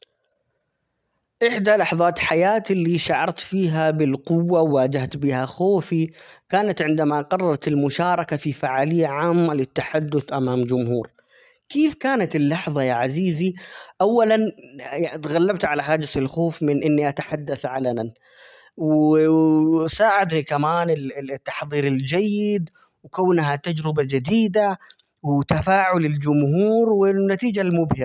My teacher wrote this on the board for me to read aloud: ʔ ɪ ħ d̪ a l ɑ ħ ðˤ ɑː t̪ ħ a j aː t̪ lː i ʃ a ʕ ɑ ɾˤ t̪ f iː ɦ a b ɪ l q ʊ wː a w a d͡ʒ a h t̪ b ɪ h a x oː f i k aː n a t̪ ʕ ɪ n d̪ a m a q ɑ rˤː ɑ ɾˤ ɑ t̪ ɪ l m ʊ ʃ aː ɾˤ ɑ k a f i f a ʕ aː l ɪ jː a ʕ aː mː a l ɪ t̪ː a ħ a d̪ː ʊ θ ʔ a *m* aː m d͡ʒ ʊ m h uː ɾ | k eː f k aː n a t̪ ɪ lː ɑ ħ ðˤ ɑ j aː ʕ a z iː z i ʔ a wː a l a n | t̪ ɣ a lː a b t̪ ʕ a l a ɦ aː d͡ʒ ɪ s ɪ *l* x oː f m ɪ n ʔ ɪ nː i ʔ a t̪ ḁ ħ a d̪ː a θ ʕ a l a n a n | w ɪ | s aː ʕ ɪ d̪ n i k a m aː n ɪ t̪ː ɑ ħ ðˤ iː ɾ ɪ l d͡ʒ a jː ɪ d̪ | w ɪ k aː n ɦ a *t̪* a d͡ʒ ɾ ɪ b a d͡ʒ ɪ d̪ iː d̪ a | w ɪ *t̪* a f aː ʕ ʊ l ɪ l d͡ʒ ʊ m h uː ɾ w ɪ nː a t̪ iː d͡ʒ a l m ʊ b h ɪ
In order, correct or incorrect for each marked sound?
correct, correct, correct, correct

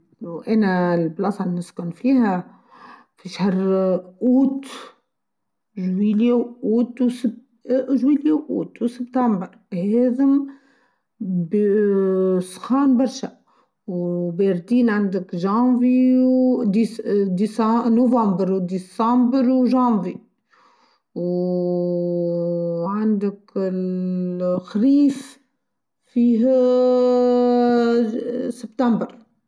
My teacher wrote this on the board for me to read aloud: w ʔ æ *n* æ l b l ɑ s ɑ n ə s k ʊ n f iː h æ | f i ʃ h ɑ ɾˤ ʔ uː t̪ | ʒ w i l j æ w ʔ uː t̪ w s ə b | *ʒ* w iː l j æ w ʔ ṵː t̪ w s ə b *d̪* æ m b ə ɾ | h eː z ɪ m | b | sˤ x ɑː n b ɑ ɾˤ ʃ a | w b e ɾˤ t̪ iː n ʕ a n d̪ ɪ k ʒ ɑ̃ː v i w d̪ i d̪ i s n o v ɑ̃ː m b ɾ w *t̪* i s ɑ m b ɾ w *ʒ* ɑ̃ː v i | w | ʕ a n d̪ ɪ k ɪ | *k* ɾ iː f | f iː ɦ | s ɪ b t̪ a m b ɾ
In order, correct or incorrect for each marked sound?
correct, correct, incorrect, incorrect, correct, incorrect

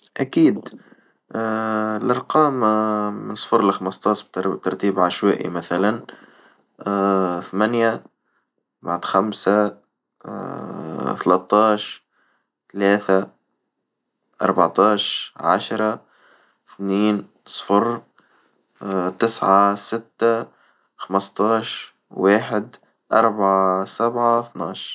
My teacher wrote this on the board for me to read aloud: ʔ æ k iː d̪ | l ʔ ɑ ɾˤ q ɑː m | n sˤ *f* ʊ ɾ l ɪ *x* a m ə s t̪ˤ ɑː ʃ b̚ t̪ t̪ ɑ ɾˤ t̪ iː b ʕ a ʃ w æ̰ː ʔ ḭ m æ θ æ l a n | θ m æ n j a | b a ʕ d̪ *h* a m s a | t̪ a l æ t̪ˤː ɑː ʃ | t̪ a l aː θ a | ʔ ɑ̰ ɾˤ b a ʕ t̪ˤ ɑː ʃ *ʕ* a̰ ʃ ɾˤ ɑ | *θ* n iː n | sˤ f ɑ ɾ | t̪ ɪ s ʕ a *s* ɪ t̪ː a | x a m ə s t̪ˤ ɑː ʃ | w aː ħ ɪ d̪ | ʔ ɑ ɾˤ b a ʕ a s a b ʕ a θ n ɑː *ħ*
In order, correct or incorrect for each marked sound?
correct, correct, incorrect, correct, correct, correct, incorrect

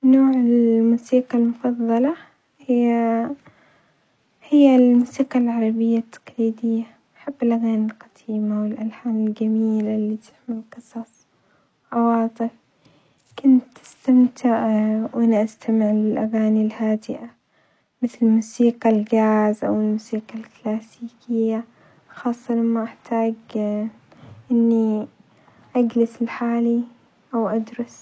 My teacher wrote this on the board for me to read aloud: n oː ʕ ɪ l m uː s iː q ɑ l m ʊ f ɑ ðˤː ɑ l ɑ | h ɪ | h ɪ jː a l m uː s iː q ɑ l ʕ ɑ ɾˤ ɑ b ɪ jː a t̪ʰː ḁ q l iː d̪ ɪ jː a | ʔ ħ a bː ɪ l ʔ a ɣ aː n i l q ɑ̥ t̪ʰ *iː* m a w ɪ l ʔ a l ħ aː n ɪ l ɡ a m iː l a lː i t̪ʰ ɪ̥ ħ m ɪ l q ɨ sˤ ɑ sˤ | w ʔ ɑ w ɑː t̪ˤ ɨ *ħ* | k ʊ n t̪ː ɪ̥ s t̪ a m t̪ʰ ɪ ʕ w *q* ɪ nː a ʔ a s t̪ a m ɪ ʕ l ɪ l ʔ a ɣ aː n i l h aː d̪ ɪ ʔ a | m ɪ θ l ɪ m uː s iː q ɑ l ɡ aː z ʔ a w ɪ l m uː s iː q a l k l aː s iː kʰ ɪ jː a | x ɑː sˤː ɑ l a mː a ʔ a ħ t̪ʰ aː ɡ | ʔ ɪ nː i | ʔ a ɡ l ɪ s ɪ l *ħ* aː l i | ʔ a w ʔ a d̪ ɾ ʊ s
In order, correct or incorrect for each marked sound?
correct, incorrect, incorrect, correct

